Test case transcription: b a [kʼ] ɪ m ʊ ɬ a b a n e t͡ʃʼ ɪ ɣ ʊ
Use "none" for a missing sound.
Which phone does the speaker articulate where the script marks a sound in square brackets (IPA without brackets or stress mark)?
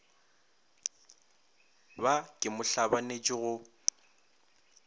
kʼ